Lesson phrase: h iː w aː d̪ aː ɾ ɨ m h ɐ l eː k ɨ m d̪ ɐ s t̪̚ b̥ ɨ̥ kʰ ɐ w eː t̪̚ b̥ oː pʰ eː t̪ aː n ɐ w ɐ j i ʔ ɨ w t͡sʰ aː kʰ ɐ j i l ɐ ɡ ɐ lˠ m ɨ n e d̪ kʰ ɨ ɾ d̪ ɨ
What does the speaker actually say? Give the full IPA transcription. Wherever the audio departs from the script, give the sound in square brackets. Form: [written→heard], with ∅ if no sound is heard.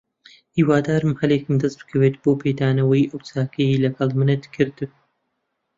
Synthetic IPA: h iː w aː d̪ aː ɾ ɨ m h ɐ l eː k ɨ m d̪ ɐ s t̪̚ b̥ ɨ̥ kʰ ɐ w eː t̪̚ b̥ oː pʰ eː [t̪→d̪] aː n ɐ w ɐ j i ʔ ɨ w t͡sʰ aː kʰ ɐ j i l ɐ ɡ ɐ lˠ m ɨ n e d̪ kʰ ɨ ɾ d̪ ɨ